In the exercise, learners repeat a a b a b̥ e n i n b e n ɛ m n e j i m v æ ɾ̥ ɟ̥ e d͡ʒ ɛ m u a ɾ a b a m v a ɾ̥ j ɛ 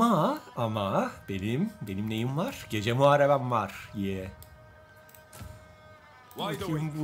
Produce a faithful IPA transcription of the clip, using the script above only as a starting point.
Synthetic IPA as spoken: a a m a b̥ e n i m b e n i m n e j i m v a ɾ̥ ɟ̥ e d͡ʒ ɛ m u a ɾ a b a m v a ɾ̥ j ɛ